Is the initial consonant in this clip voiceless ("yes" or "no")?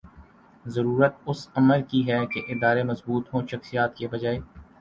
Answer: no